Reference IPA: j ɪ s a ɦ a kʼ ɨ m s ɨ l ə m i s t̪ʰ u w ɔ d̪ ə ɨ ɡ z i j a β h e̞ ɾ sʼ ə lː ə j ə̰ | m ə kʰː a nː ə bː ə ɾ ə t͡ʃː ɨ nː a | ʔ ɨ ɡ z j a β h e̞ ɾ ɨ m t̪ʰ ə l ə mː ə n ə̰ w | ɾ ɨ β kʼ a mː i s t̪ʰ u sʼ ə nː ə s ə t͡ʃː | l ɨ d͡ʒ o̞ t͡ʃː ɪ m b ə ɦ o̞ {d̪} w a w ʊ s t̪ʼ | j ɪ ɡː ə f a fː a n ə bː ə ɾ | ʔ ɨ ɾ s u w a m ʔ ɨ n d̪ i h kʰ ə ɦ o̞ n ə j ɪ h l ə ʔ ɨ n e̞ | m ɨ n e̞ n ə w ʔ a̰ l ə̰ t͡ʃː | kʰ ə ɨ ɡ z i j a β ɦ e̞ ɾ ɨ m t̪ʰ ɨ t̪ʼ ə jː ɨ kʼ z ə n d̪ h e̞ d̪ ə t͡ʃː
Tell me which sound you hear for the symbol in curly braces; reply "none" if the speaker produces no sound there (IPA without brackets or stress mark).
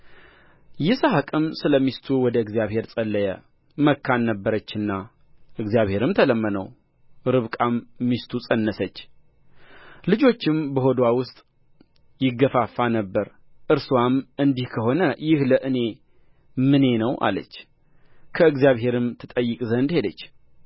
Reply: d̪